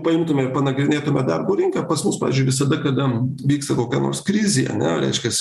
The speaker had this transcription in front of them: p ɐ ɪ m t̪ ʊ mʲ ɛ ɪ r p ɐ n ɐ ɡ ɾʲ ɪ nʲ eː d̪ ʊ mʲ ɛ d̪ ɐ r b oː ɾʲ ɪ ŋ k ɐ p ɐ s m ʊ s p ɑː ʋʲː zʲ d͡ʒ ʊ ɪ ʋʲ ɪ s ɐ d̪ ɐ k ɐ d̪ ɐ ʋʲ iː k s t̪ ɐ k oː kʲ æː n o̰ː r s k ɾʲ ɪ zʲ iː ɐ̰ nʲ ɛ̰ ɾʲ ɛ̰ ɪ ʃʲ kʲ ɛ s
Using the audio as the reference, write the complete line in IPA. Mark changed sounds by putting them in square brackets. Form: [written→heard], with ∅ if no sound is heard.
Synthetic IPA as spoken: p ɐ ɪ m t̪ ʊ mʲ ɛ ɪ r p ɐ n ɐ ɡ ɾʲ ɪ nʲ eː [d̪→t̪] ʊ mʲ ɛ d̪ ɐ r b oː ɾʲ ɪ ŋ k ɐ p ɐ s m ʊ s p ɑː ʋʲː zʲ d͡ʒ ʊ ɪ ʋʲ ɪ s ɐ d̪ ɐ k ɐ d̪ ɐ ʋʲ iː k s t̪ ɐ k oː kʲ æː n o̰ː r s k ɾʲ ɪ zʲ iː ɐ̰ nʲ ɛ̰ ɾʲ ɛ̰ ɪ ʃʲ kʲ ɛ s